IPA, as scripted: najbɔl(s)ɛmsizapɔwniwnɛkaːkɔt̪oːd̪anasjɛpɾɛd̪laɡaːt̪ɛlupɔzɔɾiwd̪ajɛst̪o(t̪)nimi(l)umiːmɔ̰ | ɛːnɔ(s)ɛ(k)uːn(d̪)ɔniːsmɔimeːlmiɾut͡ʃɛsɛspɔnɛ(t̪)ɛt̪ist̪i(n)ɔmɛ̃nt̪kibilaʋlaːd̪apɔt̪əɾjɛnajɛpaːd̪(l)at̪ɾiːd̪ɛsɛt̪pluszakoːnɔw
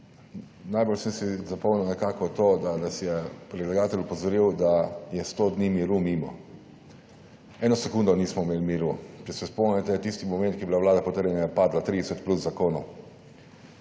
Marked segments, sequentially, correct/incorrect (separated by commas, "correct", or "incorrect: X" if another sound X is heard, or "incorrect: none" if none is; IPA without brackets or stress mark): correct, incorrect: d̪, incorrect: ɾ, correct, correct, correct, correct, incorrect: m, correct